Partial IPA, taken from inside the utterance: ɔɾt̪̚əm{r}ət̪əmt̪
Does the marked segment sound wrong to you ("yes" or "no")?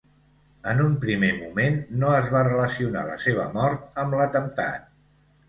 yes